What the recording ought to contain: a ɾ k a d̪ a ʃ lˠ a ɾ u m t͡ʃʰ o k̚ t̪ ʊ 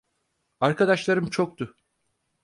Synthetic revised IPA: a ɾ k a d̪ a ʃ lˠ a ɾ ɯ m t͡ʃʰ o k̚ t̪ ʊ